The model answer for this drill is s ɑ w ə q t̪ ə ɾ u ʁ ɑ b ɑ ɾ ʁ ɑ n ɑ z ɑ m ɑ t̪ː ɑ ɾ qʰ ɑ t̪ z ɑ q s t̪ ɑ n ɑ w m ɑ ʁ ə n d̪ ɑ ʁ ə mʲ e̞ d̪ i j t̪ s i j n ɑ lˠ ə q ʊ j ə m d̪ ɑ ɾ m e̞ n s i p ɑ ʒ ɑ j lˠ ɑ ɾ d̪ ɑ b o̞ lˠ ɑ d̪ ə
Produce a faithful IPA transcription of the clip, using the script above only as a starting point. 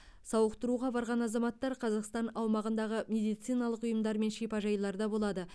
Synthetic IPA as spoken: s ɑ w ə q t̪ ə ɾ u ʁ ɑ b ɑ ɾ ʁ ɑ n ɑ z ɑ m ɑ t̪ː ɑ ɾ qʰ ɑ z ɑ q s t̪ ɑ n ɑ w m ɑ ʁ ə n d̪ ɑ ʁ ə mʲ e̞ d̪ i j t̪ s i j n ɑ lˠ ə q ʊ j ə m d̪ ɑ ɾ m e̞ n ʃ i p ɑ ʒ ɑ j lˠ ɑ ɾ d̪ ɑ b o̞ lˠ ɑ d̪ ə